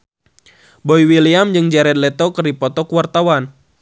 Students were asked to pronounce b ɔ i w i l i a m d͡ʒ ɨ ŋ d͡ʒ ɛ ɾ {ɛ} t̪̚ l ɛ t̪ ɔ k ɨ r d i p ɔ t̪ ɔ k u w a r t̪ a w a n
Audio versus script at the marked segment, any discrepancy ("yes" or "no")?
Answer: no